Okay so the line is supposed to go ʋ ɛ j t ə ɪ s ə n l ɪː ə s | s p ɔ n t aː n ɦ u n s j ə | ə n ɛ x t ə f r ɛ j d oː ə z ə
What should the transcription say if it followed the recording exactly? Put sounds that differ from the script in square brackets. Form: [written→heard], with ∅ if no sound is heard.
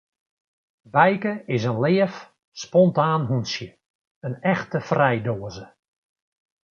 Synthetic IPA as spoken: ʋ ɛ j [t→k] ə ɪ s ə n l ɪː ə [s→f] | s p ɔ n t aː n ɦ u n s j ə | ə n ɛ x t ə f r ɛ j d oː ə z ə

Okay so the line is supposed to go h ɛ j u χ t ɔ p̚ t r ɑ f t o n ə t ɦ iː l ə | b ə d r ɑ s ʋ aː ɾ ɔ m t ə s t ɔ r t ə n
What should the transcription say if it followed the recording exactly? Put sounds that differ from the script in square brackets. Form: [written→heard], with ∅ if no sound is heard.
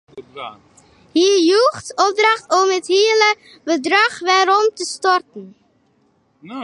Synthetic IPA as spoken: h [ɛ→i] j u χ t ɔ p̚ [t→d] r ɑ [f→χ] t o [n→m] ə t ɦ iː l ə | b ə d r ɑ [s→χ] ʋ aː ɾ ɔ m t ə s t ɔ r t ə n

